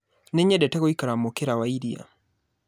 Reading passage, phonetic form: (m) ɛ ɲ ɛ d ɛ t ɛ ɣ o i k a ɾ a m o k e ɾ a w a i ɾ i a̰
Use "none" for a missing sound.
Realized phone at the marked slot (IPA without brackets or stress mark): n